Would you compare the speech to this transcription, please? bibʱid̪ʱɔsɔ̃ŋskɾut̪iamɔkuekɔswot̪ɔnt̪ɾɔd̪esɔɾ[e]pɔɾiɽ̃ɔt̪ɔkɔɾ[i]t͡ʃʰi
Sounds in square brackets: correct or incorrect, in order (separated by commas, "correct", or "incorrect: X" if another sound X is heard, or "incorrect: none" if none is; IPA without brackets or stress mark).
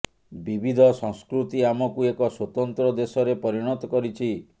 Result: correct, correct